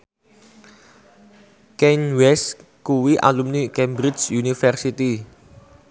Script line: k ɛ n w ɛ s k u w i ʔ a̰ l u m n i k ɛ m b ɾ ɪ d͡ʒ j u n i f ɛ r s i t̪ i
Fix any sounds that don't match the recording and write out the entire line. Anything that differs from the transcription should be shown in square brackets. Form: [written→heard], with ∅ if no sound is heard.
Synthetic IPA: k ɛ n w ɛ s k u w i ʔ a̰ l u m n i k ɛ m b ɾ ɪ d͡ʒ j u n i f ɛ r s i t̪ i